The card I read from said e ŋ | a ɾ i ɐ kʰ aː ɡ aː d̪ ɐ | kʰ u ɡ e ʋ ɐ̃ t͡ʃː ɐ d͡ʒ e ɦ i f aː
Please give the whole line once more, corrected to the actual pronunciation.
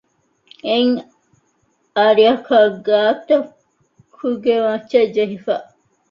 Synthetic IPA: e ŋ | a ɾ i ɐ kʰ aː ɡ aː t̪ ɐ | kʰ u ɡ e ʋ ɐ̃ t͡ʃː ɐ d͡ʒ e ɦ i f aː